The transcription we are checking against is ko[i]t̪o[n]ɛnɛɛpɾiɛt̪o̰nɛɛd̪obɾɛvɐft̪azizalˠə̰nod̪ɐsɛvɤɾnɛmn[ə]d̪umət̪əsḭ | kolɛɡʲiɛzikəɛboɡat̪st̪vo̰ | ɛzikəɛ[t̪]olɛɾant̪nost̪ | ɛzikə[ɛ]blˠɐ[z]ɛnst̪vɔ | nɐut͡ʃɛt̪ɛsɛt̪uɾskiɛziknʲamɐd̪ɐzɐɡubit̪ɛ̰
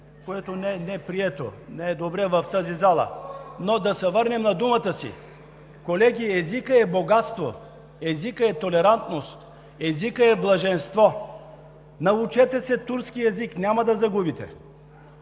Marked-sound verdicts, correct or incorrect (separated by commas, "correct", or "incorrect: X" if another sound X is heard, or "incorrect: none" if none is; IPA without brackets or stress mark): incorrect: ɛ, correct, incorrect: ɐ, correct, correct, incorrect: ʒ